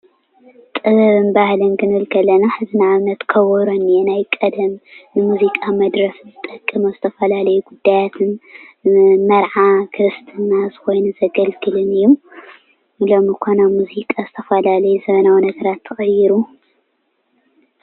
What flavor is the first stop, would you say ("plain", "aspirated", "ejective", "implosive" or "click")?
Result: ejective